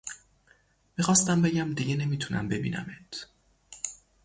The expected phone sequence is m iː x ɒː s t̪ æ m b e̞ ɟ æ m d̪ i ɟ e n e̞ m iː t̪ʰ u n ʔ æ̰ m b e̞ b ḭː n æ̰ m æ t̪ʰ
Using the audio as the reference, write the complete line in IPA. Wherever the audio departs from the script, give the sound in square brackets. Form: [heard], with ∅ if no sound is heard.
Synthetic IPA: m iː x ɒː s t̪ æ m b e̞ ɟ æ m d̪ i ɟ e n e̞ m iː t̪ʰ u n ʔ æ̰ m b e̞ b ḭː n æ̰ m [e] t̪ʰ